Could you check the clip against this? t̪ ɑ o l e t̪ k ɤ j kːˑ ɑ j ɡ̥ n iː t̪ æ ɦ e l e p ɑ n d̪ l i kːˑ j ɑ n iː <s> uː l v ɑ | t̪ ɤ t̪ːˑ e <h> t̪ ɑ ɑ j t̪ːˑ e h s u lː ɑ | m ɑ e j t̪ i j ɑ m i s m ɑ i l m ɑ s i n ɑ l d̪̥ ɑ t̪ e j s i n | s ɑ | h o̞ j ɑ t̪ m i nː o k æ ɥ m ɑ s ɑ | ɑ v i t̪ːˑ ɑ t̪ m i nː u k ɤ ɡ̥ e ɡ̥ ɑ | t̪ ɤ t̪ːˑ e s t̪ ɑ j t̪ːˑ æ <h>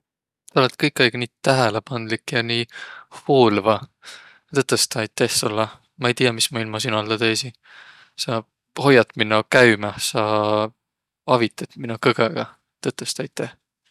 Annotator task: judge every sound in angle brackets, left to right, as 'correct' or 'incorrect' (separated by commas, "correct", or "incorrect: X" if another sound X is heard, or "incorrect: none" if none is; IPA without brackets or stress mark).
incorrect: h, incorrect: s, correct